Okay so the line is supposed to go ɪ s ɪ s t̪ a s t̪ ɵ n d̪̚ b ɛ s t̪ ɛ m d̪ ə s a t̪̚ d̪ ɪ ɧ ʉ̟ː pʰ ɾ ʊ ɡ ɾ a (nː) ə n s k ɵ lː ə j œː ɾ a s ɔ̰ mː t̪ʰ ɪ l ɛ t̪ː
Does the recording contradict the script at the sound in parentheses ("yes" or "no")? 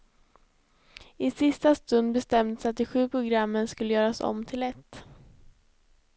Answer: yes